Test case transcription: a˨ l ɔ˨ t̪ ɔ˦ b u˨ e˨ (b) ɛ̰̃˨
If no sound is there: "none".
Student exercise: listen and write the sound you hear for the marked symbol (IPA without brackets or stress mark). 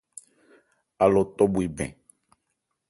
b